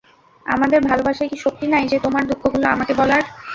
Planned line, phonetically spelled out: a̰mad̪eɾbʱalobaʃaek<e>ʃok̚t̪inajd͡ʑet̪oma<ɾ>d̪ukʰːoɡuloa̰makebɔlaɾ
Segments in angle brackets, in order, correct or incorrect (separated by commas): incorrect, correct